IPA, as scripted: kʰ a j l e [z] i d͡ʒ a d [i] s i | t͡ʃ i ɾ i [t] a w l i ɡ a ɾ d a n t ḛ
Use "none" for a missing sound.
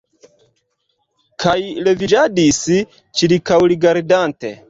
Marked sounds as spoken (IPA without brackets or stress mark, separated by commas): v, i, k